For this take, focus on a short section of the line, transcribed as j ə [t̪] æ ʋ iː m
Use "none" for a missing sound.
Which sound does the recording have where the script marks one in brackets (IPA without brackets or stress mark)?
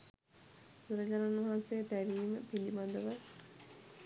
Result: t̪